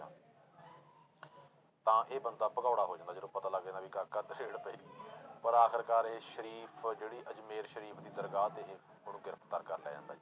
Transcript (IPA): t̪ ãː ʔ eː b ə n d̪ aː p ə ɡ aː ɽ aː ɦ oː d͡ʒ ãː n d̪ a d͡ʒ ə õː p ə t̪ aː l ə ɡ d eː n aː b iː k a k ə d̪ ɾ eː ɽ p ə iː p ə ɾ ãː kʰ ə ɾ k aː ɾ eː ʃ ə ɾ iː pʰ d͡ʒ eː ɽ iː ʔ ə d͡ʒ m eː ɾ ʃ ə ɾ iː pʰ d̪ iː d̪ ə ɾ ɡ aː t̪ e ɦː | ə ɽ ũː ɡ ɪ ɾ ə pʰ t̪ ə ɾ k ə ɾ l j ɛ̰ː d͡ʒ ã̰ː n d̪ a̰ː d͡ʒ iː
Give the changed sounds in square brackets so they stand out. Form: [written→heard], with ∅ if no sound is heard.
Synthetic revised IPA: t̪ ãː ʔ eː b ə n d̪ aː p ə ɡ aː ɽ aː ɦ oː d͡ʒ ãː n d̪ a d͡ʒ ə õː p ə t̪ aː l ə ɡ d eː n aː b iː k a k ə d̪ ɾ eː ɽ p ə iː p ə ɾ [ãː→aː] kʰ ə ɾ k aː ɾ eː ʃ ə ɾ iː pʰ d͡ʒ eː ɽ iː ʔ ə d͡ʒ m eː ɾ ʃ ə ɾ iː pʰ d̪ iː d̪ ə ɾ ɡ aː t̪ e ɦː | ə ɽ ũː ɡ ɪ ɾ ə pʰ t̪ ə ɾ k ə ɾ l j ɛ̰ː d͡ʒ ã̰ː n d̪ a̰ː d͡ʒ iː